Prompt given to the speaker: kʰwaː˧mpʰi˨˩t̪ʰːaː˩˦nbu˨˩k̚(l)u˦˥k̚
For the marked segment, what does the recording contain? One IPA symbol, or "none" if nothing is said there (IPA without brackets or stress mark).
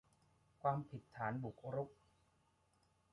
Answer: ɾ